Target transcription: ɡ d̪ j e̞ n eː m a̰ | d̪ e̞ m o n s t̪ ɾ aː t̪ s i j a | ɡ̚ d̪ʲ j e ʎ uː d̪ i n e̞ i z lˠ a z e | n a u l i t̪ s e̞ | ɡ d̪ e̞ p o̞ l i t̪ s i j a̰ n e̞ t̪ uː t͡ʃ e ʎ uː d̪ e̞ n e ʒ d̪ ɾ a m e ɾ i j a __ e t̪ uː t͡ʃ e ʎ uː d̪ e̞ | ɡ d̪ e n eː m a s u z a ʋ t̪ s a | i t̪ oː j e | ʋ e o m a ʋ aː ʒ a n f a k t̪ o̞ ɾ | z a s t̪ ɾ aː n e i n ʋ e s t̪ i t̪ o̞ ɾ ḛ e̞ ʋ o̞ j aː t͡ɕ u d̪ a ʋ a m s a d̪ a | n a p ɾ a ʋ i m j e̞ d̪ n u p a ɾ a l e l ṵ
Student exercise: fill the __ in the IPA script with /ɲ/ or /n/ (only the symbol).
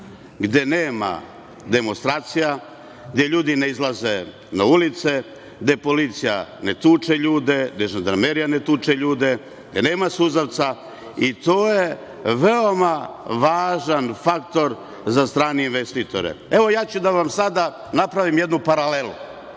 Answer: n